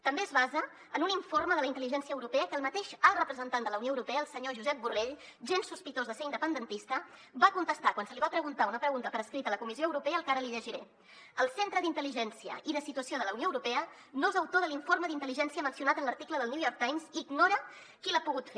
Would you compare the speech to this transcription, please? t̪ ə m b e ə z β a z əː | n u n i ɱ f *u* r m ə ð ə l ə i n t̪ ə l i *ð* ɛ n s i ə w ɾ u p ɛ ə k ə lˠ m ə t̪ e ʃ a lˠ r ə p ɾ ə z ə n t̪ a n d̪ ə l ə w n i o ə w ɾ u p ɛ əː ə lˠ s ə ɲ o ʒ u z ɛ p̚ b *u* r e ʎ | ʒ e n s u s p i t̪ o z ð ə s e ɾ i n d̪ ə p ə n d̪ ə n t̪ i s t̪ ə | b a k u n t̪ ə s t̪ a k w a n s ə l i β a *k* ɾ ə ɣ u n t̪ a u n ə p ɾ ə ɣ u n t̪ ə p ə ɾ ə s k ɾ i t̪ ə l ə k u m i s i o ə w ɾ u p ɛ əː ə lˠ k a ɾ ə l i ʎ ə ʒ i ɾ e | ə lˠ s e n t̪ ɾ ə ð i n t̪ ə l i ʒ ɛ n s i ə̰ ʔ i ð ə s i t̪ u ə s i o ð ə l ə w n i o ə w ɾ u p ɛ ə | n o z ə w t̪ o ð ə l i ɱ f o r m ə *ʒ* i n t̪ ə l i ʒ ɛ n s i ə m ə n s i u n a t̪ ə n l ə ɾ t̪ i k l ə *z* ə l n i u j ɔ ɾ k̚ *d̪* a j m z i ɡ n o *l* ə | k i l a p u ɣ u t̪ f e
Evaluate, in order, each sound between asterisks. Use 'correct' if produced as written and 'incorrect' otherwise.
incorrect: o, incorrect: ʒ, correct, incorrect: p, incorrect: ð, incorrect: ð, incorrect: t̪, incorrect: ɾ

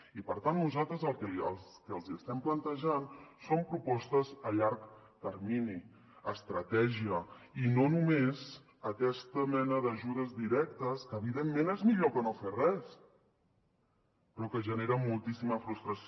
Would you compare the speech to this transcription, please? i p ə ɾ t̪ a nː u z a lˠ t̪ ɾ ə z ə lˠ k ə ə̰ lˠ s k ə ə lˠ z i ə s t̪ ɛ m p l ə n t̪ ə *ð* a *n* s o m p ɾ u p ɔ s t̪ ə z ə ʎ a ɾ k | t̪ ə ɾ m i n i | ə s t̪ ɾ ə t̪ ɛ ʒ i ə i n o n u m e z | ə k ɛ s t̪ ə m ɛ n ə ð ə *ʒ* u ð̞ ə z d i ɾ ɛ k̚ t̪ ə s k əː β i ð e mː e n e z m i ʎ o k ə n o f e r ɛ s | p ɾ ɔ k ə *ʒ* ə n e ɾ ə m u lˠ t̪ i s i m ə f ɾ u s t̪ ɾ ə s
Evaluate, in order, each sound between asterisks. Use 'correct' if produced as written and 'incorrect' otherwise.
incorrect: ʒ, correct, correct, correct

